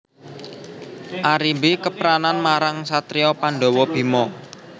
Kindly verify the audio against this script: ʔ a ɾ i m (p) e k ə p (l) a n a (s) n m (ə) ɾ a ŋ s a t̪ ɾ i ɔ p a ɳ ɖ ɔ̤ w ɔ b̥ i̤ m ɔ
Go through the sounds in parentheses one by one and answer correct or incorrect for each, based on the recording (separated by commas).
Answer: incorrect, incorrect, incorrect, incorrect